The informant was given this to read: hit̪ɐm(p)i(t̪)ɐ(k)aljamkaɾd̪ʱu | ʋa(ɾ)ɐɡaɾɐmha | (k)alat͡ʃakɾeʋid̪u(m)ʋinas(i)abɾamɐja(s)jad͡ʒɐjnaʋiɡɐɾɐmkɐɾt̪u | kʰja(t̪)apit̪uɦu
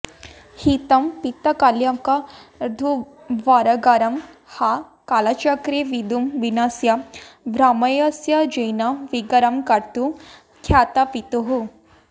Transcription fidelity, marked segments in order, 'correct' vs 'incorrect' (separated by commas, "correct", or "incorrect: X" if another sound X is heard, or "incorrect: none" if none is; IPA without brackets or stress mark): correct, correct, correct, correct, correct, correct, incorrect: j, correct, correct